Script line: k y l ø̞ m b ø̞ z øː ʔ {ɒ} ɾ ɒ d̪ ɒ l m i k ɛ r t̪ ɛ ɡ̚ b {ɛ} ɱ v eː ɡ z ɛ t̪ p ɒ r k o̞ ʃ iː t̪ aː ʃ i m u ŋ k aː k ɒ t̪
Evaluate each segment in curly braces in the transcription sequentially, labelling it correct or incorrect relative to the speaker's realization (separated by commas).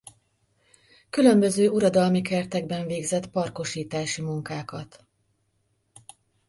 incorrect, correct